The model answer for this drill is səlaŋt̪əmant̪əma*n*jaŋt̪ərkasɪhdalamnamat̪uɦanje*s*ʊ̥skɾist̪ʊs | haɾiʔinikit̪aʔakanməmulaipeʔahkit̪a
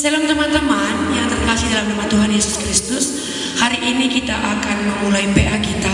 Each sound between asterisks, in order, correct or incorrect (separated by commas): correct, correct